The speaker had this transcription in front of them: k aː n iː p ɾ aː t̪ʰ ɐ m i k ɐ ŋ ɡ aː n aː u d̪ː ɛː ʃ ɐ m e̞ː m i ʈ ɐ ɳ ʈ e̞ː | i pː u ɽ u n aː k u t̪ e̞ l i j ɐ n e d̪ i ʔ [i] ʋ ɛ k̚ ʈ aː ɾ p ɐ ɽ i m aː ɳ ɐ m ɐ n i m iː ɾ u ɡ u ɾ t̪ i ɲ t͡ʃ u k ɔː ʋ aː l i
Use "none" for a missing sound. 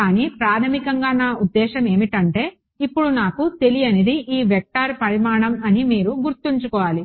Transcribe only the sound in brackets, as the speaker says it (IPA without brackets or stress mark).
iː